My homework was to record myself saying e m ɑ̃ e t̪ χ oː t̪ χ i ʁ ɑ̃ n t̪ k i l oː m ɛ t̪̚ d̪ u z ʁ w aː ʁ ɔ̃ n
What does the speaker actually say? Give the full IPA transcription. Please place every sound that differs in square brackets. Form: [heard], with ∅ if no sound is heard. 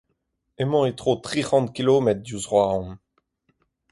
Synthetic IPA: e m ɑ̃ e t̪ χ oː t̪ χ i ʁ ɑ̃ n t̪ k i l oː m ɛ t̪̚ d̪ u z ʁ w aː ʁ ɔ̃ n